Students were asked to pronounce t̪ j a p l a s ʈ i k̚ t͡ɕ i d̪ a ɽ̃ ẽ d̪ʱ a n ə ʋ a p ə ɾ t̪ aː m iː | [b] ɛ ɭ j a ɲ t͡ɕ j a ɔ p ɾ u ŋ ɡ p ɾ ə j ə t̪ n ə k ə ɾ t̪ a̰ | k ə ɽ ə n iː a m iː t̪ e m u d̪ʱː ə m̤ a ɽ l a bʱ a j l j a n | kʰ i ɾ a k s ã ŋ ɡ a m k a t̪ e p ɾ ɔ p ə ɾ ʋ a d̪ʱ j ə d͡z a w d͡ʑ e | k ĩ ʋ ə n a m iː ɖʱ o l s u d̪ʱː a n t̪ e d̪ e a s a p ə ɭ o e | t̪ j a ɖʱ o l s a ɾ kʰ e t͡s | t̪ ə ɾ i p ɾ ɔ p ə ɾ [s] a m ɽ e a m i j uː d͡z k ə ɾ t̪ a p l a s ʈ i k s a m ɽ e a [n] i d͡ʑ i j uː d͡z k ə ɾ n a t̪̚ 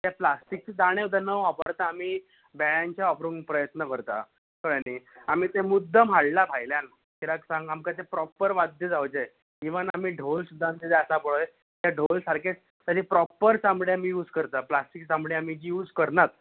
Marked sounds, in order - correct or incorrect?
correct, correct, incorrect: m

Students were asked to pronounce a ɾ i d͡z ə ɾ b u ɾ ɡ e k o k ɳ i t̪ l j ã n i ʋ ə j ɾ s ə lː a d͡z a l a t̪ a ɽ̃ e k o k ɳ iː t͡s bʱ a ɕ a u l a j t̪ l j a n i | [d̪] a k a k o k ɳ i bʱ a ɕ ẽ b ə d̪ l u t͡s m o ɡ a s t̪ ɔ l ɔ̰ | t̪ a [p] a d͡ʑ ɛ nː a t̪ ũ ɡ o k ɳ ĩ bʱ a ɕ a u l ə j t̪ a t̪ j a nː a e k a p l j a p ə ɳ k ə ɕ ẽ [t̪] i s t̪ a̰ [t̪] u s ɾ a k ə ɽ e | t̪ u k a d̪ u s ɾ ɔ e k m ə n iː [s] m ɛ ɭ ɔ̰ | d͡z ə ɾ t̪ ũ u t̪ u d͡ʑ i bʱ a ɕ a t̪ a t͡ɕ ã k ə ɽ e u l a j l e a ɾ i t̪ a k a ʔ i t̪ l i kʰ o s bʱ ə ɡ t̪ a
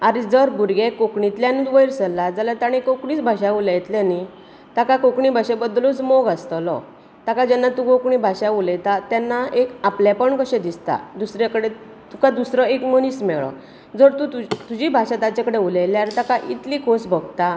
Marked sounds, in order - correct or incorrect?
incorrect: t̪, incorrect: k, incorrect: d̪, incorrect: d̪, correct

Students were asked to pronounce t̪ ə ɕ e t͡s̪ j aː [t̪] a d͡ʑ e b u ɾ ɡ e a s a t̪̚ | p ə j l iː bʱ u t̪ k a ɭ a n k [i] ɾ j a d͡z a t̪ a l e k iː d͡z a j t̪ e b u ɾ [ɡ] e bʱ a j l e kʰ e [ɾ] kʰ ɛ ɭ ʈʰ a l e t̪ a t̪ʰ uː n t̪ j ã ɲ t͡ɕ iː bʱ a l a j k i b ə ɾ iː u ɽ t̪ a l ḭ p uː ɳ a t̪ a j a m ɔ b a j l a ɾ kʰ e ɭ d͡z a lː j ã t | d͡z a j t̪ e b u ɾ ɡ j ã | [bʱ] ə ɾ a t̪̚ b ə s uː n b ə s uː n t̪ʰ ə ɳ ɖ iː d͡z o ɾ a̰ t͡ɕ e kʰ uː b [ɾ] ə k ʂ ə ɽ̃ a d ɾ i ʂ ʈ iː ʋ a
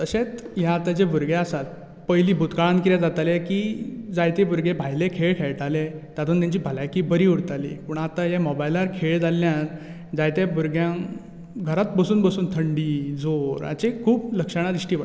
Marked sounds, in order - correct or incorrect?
correct, correct, correct, incorrect: ɭ, incorrect: ɡʱ, incorrect: l

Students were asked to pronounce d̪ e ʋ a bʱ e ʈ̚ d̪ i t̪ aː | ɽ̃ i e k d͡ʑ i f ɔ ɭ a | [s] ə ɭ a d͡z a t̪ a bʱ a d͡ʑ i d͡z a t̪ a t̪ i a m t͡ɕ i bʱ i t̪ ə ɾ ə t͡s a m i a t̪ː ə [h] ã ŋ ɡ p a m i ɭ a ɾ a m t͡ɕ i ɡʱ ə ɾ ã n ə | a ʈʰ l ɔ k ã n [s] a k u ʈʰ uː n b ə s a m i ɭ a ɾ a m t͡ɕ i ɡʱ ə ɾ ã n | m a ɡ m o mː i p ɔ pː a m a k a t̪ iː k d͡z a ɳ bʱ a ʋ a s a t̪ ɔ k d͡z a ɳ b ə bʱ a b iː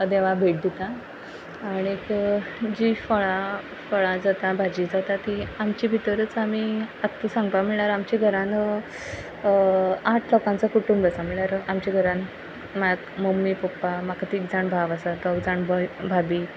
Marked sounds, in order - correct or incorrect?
incorrect: f, incorrect: s, incorrect: t͡s

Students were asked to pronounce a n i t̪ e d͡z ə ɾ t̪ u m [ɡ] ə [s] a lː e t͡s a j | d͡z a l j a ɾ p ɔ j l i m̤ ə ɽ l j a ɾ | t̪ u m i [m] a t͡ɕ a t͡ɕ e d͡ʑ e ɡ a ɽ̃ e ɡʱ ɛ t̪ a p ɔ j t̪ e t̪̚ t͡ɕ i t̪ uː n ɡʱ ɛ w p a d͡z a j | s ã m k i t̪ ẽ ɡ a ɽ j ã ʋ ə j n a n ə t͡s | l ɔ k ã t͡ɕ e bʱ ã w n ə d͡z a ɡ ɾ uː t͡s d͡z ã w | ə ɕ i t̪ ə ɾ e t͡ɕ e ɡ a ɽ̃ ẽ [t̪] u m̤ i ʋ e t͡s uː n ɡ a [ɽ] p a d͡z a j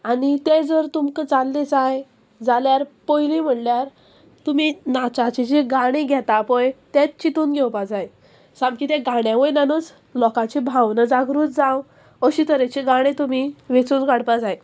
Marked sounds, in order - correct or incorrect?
incorrect: k, incorrect: t͡s, incorrect: n, correct, correct

